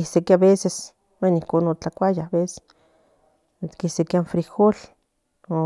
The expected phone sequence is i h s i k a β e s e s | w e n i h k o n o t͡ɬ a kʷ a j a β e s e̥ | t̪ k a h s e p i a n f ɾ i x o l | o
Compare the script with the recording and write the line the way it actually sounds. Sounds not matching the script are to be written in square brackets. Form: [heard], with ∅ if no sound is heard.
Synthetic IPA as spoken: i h s [e] k a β e s e s | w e n i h k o n o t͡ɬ a kʷ a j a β e s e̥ | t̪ k [i] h s e [k] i a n f ɾ i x o l | o